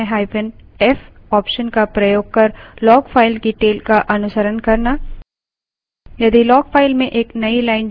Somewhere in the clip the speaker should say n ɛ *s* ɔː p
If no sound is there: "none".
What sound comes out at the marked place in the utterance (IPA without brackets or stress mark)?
f